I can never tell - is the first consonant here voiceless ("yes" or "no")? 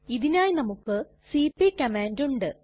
no